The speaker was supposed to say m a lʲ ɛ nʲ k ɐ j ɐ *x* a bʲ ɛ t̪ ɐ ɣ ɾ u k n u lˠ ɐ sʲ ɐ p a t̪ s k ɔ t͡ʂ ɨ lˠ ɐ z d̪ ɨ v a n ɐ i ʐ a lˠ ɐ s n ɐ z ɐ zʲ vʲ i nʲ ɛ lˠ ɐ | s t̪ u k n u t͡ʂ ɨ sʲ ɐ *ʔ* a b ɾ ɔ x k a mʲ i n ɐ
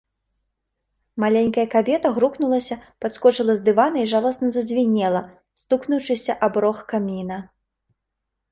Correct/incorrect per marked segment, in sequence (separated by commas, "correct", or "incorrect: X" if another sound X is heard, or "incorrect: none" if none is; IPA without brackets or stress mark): incorrect: k, correct